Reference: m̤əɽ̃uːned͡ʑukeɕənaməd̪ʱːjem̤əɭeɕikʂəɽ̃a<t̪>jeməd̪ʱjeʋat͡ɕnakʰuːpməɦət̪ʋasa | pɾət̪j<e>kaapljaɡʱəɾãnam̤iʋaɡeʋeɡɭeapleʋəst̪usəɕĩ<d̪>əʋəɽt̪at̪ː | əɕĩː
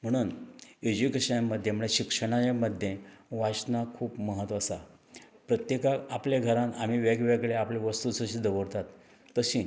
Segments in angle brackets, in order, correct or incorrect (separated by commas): incorrect, correct, correct